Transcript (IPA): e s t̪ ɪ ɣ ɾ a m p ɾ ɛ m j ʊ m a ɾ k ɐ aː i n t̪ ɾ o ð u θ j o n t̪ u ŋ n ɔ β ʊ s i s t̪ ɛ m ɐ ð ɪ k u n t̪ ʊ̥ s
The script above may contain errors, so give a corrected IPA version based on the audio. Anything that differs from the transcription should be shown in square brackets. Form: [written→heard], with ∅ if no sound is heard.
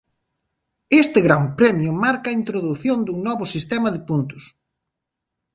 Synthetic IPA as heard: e s t̪ ɪ ɣ ɾ a m p ɾ ɛ m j ʊ m a ɾ k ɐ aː i n t̪ ɾ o ð u θ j o n [t̪→d̪] u ŋ n ɔ β ʊ s i s t̪ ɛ m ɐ ð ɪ [k→p] u n t̪ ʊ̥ s